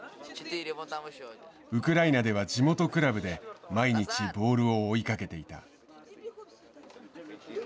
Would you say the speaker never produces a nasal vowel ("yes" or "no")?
yes